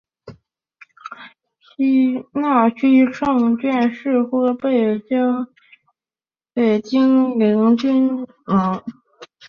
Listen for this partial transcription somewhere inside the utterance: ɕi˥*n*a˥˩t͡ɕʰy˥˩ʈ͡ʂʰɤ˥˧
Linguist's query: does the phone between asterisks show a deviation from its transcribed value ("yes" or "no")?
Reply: no